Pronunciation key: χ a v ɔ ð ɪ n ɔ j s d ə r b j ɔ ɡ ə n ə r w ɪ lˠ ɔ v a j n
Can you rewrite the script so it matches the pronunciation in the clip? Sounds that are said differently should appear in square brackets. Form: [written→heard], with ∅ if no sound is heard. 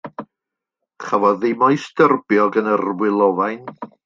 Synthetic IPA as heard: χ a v ɔ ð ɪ [n→m] ɔ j s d ə r b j ɔ ɡ ə n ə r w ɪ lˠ ɔ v a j n